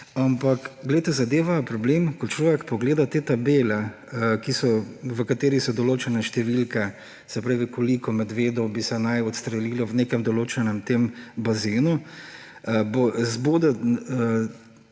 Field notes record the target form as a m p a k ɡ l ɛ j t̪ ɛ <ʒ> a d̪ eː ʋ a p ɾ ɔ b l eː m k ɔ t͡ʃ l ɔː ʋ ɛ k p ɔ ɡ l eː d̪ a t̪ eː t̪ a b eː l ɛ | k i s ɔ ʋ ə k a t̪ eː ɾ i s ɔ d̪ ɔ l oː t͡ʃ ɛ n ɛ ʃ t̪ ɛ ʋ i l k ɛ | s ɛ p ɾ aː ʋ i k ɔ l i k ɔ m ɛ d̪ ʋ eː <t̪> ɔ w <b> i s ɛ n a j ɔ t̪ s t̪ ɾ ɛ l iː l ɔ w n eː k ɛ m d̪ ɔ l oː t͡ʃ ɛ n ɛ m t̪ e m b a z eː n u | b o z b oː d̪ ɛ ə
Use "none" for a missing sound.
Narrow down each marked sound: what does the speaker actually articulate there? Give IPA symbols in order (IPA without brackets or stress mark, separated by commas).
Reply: z, d̪, b